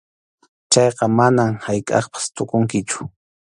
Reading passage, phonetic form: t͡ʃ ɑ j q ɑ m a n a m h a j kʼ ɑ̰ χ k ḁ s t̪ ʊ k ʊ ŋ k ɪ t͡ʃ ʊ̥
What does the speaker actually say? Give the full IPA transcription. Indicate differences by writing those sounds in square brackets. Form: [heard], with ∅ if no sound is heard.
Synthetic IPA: t͡ʃ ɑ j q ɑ m a n a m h a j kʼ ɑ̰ χ [p] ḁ s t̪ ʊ k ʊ ŋ k ɪ t͡ʃ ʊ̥